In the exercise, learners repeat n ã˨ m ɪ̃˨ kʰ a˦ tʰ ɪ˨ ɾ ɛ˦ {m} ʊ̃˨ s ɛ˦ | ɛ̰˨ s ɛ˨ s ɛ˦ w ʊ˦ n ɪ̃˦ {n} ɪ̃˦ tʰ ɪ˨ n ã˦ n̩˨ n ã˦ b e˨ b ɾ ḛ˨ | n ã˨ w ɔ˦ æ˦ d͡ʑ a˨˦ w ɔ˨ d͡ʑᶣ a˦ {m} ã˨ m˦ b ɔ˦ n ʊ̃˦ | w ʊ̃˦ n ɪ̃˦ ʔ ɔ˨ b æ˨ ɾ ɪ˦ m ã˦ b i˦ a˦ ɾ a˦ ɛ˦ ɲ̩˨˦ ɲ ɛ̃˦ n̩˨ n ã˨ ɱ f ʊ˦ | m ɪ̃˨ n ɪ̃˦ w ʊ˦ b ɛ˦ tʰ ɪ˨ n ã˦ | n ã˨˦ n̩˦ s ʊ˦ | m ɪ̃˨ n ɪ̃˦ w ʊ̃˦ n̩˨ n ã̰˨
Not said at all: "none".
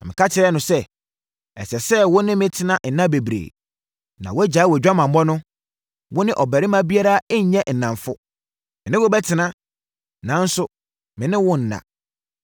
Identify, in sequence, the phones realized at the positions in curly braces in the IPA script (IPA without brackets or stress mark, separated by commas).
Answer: n, m, m